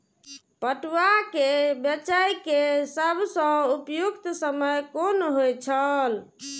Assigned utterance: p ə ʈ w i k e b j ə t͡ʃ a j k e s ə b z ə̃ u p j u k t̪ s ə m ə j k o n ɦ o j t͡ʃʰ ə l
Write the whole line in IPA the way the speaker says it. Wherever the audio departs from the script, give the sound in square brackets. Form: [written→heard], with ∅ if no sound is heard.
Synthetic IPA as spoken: p ə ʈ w [i→a] k e b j ə t͡ʃ a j k e s ə b [z→s] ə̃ u p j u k t̪ s ə m ə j k o n ɦ o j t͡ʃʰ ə l